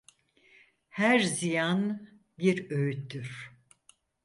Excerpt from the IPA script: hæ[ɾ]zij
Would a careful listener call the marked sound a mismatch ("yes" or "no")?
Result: no